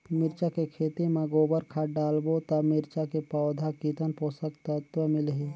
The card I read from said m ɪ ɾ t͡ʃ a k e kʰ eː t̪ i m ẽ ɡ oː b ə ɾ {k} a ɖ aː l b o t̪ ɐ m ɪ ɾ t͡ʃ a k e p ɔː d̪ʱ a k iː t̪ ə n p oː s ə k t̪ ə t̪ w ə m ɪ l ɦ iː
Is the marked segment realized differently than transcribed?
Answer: yes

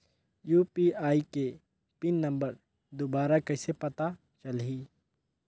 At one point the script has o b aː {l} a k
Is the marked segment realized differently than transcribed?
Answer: yes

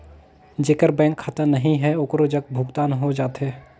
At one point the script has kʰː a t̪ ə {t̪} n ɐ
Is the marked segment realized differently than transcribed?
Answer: yes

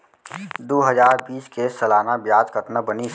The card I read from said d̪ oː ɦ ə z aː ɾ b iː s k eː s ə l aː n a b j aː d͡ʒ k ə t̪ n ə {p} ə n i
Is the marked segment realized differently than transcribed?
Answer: yes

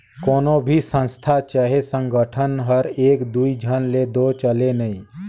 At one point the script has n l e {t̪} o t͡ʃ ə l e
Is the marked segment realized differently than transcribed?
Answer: yes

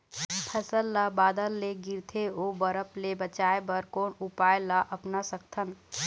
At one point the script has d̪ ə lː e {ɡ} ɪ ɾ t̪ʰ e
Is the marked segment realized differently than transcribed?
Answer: no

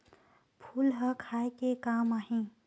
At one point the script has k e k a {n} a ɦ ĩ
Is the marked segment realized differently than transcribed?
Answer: yes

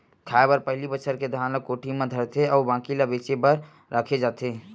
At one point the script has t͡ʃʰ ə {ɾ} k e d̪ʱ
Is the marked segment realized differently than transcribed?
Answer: no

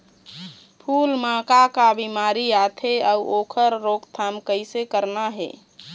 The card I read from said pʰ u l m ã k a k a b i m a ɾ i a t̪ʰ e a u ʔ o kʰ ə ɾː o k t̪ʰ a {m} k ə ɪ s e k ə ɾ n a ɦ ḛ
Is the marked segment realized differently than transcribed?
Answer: no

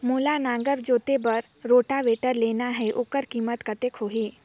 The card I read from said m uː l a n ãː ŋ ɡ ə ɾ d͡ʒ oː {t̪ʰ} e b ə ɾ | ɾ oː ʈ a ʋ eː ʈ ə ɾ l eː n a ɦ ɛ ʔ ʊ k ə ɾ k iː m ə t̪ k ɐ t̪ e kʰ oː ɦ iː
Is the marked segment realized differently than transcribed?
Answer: yes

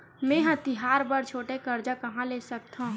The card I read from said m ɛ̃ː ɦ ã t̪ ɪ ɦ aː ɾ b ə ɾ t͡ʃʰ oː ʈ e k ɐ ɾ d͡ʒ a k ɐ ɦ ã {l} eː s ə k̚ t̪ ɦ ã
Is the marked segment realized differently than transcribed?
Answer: no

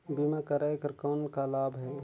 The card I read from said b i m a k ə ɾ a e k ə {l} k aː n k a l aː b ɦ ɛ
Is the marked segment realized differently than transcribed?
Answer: yes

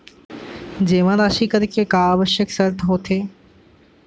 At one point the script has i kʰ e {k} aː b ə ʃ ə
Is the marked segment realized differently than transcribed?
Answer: no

